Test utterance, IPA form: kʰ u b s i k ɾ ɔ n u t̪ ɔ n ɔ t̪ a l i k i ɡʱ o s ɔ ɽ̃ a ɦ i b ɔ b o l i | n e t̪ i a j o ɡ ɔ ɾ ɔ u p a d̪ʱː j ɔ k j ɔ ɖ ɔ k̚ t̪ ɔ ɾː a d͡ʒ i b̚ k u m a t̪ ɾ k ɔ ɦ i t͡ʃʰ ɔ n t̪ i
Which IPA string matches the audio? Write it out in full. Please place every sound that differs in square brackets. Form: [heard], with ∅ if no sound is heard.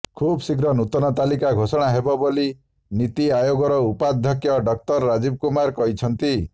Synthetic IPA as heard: kʰ u b s i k ɾ ɔ n u t̪ ɔ n ɔ t̪ a l i k [a] ɡʱ o s ɔ ɽ̃ a ɦ [e] b ɔ b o l i | n [i] t̪ i a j o ɡ ɔ ɾ ɔ u p a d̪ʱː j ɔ k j ɔ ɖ ɔ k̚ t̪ ɔ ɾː a d͡ʒ i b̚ k u m a [∅] ɾ k ɔ ɦ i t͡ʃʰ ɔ n t̪ i